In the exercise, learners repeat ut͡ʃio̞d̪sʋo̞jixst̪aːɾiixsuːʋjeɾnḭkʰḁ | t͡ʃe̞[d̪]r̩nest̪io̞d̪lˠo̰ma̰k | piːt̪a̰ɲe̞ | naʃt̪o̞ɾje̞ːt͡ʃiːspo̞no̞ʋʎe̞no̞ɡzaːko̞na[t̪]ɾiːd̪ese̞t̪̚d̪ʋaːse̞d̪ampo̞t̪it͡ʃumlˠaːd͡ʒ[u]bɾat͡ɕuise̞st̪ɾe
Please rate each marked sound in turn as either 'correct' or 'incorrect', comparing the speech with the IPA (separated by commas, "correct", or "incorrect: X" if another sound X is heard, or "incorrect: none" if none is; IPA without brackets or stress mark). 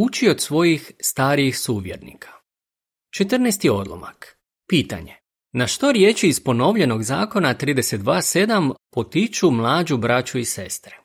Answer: incorrect: t̪, correct, correct